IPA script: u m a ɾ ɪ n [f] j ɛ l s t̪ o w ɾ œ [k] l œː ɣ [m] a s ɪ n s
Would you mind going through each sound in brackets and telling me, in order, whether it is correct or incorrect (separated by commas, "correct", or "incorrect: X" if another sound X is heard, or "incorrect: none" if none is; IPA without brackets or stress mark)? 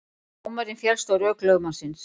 correct, correct, correct